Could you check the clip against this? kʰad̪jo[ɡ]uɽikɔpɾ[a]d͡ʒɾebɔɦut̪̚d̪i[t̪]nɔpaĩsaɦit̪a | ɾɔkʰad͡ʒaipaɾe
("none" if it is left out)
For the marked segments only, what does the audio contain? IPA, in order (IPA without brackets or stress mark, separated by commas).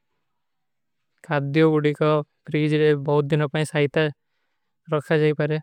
ɡ, i, none